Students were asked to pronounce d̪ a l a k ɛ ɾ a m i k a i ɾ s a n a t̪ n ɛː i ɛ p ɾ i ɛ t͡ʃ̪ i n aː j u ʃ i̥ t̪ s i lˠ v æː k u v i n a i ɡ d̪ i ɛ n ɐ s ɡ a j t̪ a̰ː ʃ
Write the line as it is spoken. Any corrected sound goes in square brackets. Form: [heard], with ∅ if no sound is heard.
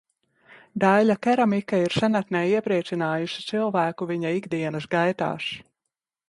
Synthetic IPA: d̪ a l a k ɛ ɾ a m i k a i ɾ s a n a t̪ n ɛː i ɛ p ɾ i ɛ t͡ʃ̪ i n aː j u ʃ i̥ t̪ s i lˠ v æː k u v i [ɲ] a i ɡ d̪ i ɛ n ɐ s ɡ a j t̪ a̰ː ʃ